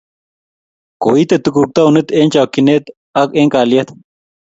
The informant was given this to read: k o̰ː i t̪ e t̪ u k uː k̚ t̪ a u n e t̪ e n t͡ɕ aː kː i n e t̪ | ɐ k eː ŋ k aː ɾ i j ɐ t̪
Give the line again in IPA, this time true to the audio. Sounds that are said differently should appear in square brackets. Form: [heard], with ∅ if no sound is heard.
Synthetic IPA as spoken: k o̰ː i t̪ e t̪ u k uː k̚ t̪ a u n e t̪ e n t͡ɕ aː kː i n e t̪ | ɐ k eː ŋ k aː [l] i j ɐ t̪